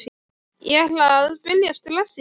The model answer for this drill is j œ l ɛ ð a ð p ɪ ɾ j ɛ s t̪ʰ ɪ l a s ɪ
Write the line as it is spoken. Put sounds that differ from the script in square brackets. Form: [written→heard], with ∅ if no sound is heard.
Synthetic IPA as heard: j [œ→ɛ] l [ɛ→a] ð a ð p ɪ [ɾ→l] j [ɛ→a] s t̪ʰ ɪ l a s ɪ